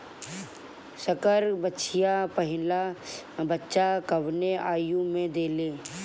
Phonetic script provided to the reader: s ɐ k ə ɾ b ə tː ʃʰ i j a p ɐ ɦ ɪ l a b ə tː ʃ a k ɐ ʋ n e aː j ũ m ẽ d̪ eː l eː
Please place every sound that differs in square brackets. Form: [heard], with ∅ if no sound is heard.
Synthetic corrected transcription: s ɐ k ə ɾ b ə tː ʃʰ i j a p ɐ ɦ ɪ l a b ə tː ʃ a k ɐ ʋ n e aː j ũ m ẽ d̪ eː l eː